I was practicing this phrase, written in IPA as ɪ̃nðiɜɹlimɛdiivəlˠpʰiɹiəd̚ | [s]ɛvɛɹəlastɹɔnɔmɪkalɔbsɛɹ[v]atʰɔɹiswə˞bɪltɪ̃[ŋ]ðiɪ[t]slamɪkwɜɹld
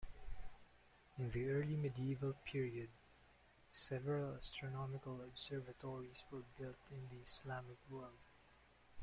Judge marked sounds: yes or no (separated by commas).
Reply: yes, yes, no, no